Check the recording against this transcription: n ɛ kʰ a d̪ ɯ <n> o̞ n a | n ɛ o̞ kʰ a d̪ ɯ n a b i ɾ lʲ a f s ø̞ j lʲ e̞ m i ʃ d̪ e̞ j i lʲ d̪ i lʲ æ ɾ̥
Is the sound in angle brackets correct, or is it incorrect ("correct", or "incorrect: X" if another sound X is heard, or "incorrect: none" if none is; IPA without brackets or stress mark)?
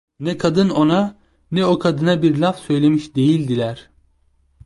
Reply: correct